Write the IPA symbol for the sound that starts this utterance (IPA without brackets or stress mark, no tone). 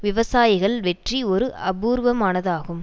ʋ